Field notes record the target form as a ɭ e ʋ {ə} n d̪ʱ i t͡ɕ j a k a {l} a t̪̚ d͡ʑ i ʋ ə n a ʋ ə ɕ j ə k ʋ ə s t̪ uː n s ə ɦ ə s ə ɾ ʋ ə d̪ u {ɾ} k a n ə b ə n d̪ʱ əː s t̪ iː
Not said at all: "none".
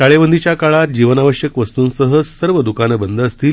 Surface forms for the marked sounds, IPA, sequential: ə, ɭ, none

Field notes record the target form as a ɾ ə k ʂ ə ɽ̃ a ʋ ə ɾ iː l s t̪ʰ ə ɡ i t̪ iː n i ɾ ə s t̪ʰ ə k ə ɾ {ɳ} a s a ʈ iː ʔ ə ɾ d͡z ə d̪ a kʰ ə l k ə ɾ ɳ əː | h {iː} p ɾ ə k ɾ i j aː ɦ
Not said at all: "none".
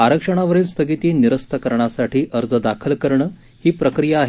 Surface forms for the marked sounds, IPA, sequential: ɳ, iː

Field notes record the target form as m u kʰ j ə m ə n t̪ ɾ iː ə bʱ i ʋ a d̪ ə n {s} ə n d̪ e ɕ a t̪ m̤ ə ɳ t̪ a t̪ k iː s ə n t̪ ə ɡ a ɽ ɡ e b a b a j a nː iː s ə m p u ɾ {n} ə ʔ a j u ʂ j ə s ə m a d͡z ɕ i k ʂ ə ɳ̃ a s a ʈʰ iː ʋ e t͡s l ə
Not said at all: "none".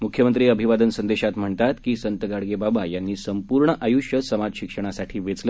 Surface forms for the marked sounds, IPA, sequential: s, ɳ

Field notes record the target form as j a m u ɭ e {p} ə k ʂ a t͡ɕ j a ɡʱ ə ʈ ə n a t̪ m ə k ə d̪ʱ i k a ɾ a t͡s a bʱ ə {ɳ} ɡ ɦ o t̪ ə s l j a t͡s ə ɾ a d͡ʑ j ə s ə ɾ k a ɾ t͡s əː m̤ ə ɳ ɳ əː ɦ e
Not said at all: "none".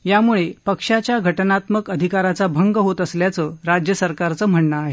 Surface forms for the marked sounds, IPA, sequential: p, ŋ

